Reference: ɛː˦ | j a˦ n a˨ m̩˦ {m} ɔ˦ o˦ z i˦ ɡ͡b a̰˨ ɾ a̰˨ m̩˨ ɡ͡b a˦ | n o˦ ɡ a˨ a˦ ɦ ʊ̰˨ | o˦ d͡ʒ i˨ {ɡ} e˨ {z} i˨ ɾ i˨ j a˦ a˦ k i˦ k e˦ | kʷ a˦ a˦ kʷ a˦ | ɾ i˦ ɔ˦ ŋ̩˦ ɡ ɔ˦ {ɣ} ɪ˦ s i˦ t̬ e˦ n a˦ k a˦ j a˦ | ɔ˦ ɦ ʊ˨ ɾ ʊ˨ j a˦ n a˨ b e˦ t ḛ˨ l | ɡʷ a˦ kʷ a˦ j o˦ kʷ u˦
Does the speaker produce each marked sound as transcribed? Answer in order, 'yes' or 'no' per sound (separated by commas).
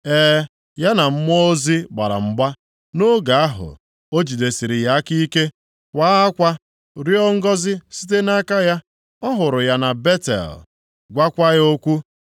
yes, no, no, no